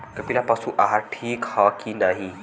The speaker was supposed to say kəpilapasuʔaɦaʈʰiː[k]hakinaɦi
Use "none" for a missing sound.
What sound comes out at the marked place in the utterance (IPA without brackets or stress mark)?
k